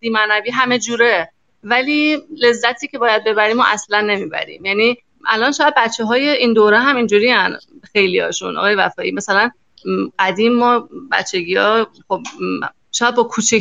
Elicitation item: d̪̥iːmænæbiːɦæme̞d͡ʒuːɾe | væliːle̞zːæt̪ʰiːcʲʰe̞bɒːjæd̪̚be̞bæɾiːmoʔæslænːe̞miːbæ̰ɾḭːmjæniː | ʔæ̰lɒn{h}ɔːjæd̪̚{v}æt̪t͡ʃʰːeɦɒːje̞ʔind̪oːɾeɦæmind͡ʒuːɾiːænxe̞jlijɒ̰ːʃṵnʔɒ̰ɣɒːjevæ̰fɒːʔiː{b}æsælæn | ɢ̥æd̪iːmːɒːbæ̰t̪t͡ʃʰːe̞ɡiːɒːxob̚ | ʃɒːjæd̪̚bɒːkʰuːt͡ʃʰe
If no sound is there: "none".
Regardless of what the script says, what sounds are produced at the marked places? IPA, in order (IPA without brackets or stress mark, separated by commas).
ʃ, b, m